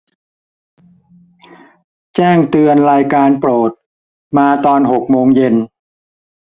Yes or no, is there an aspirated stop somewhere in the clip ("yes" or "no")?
no